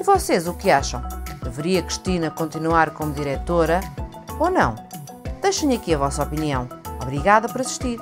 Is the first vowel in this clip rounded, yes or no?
yes